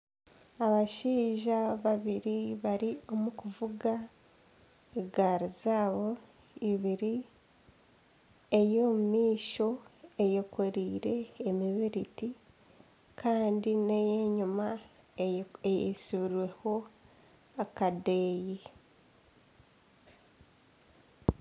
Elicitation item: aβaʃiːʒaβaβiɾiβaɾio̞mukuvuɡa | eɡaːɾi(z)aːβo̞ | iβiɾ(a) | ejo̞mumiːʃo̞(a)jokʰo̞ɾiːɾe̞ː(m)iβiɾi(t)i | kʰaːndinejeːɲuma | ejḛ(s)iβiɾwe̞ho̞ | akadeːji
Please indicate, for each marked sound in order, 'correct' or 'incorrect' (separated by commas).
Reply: correct, incorrect, incorrect, correct, correct, correct